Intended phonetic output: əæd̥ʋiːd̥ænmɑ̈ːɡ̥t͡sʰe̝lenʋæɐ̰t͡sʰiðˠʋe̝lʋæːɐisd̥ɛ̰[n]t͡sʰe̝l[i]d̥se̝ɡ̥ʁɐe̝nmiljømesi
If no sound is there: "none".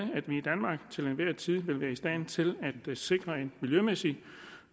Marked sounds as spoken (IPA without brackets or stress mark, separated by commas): n, æ